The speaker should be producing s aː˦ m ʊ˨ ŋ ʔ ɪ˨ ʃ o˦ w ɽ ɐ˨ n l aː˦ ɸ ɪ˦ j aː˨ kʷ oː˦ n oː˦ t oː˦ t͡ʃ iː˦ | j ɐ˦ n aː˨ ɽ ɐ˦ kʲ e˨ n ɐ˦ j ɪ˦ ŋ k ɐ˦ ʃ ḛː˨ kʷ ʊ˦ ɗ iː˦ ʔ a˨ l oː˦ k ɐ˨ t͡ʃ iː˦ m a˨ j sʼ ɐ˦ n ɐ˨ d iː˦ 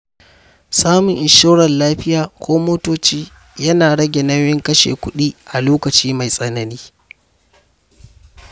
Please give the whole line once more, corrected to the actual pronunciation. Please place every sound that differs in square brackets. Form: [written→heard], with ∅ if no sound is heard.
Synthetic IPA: s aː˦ m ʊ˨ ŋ ʔ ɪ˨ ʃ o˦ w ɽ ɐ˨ n l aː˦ ɸ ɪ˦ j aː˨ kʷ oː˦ [n→m] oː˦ t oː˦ t͡ʃ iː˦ | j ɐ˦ n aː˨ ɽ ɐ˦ [kʲ→ɡʲ] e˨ n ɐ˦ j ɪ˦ ŋ k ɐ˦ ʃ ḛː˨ kʷ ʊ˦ ɗ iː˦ ʔ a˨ l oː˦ k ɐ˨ t͡ʃ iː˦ m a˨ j sʼ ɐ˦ n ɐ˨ [d→n] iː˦